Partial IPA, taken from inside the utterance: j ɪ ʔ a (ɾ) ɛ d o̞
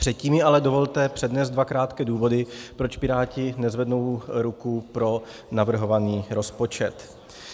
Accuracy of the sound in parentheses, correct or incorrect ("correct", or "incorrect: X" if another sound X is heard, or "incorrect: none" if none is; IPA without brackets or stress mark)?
incorrect: l